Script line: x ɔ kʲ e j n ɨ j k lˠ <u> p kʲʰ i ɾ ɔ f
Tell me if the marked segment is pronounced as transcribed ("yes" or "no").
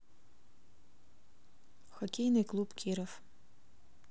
yes